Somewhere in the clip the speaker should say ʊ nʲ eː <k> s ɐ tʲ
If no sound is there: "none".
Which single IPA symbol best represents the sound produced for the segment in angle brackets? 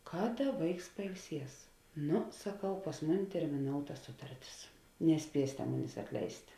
none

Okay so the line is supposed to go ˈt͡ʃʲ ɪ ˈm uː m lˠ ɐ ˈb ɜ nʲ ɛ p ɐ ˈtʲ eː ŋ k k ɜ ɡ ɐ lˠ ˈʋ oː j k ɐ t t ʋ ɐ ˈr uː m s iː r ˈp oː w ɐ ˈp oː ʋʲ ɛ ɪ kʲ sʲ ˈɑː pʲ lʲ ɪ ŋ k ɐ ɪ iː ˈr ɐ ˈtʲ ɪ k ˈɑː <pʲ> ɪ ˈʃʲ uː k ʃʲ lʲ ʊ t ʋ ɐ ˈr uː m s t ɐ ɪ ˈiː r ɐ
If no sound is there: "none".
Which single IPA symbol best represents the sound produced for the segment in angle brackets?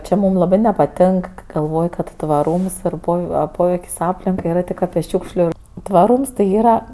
pʲ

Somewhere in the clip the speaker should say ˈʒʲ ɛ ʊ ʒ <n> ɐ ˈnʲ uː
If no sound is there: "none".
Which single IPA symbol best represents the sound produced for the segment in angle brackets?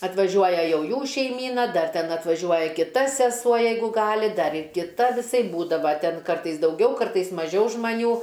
m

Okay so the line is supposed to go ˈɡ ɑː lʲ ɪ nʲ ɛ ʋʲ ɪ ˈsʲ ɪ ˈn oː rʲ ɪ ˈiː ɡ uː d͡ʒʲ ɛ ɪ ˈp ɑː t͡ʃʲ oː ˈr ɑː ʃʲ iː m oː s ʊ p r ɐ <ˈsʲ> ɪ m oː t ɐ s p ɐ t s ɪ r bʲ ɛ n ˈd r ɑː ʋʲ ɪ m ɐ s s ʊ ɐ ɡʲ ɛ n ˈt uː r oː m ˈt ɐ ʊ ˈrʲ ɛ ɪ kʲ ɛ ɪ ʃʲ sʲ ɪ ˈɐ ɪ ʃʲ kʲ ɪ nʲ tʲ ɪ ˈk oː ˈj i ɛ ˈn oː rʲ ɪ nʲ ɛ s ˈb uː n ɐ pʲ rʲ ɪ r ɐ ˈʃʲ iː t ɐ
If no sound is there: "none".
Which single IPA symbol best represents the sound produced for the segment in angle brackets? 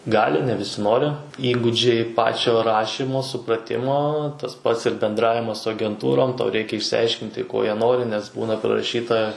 tʲ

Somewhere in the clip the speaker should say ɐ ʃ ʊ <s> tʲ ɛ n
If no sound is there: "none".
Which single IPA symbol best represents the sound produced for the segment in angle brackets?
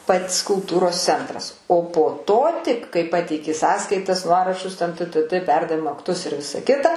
s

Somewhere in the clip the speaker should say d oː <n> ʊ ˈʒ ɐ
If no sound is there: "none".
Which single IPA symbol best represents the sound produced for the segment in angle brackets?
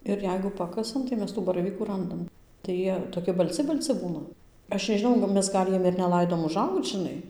m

